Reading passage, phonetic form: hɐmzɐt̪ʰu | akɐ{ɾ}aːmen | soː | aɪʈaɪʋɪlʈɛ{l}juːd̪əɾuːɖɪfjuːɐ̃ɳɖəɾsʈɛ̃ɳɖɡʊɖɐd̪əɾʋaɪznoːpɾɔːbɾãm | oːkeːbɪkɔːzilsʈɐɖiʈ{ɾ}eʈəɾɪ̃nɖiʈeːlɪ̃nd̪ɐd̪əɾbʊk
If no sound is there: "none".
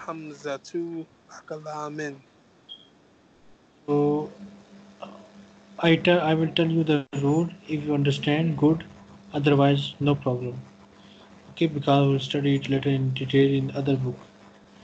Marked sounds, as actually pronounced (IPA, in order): l, l, l

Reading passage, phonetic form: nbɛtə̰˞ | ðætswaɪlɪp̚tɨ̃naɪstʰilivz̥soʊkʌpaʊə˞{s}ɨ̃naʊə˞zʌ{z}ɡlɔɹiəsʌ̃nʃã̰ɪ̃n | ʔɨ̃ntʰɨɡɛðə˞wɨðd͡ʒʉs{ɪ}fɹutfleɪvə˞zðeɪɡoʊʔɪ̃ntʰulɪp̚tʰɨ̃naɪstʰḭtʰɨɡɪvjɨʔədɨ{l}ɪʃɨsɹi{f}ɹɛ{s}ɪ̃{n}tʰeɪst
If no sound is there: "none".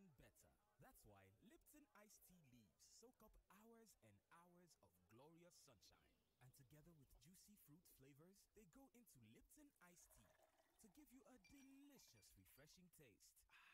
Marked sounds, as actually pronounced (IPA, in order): z, v, i, l, f, ʃ, ŋ

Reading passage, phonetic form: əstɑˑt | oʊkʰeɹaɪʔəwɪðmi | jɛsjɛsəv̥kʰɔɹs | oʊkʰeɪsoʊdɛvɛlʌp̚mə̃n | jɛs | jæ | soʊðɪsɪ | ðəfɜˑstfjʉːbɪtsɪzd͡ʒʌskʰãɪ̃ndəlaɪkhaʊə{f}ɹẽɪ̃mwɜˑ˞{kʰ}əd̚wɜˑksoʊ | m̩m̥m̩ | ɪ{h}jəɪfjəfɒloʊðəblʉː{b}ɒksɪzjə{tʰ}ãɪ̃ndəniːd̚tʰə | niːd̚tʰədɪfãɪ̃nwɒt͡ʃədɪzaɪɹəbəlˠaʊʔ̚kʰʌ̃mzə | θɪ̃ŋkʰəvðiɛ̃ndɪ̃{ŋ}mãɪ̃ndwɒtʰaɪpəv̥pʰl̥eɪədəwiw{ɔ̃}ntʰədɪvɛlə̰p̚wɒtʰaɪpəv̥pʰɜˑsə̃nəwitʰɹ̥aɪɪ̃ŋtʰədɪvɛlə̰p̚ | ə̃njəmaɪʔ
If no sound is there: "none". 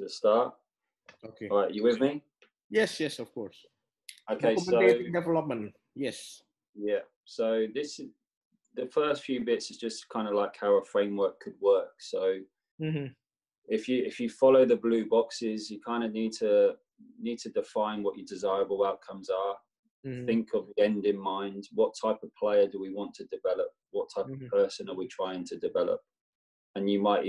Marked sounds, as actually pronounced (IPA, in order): f, kʰ, f, b, kʰ, n, ɒ̃

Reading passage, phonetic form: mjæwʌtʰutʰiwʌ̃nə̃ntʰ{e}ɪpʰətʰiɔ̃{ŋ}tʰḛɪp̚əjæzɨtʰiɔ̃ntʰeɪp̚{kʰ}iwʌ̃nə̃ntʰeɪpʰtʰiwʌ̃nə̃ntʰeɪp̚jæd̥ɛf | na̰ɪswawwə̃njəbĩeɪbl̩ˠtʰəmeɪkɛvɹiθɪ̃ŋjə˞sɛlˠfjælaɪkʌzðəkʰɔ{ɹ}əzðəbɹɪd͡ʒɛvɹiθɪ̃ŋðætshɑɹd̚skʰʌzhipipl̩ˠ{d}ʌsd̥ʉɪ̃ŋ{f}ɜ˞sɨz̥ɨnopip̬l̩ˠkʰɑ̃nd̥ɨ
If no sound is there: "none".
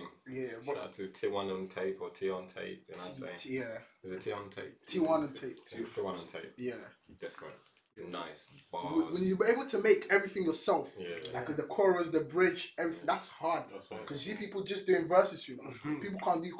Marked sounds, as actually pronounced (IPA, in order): e, n, tʰ, ɹ, d͡ʒ, v

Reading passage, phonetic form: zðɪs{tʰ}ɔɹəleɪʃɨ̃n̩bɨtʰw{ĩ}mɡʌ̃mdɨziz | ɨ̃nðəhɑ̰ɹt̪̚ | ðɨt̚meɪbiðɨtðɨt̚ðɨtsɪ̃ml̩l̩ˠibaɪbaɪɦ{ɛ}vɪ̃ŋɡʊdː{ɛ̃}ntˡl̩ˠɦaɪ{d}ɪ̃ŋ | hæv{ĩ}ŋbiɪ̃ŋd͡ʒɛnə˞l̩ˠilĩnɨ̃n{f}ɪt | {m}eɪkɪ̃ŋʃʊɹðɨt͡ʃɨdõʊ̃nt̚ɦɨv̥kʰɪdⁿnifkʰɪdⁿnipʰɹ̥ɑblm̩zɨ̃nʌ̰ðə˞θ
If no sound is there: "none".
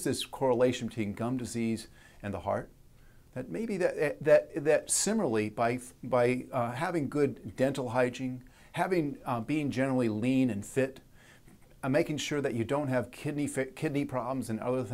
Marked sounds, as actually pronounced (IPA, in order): kʰ, ĩ, æ, ɛ̃, d͡ʒ, ɪ̃, f, m

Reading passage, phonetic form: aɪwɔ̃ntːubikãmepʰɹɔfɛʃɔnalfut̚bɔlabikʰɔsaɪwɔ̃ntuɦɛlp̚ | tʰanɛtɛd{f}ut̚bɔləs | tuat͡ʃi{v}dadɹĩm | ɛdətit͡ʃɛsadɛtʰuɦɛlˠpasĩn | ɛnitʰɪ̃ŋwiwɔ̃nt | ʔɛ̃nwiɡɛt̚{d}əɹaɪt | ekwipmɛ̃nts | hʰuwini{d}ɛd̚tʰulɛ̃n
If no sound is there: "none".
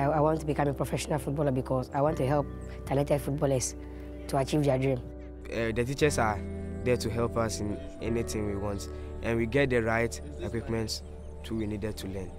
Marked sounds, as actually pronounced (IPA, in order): f, v, d, d

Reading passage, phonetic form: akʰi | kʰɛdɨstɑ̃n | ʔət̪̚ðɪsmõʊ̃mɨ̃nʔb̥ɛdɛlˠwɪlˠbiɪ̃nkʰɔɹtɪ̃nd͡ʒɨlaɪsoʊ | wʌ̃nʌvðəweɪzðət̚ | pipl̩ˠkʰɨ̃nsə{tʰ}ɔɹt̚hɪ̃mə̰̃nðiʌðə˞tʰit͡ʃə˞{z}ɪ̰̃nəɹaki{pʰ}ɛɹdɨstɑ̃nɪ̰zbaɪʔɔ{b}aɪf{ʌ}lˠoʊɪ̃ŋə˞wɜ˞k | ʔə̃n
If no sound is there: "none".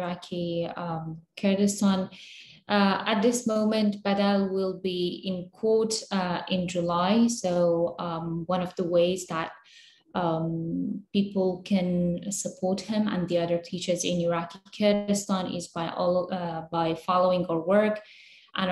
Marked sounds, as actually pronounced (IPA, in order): pʰ, z, kʰ, b, ɑ

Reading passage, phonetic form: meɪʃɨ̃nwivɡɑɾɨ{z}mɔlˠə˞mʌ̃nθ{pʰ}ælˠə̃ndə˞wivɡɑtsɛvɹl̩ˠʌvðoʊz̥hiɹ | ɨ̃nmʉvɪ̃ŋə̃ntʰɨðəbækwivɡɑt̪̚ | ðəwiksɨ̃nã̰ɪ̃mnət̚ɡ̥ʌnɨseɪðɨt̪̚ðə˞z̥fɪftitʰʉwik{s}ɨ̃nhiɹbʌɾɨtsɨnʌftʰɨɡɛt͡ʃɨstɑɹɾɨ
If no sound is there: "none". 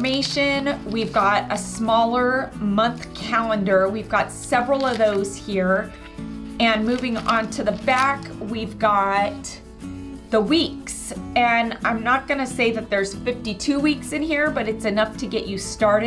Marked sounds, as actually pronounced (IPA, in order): s, kʰ, s

